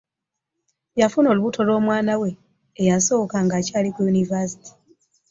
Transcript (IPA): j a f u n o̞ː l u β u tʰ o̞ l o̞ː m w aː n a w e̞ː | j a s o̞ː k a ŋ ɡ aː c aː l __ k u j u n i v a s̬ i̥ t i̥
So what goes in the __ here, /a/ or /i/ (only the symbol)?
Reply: i